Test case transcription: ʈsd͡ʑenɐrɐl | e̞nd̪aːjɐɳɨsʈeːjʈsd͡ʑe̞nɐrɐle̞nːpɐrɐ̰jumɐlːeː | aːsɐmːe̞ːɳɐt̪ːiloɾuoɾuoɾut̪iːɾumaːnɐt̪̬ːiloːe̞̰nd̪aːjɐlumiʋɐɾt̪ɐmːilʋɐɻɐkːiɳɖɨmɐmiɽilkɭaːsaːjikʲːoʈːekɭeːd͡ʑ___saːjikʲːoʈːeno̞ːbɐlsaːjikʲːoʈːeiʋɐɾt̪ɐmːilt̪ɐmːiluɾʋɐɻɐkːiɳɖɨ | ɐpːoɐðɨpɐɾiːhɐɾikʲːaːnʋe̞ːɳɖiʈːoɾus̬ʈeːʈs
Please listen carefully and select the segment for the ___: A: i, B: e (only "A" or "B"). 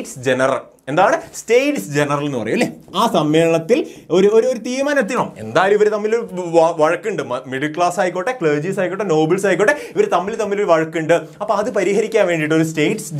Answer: A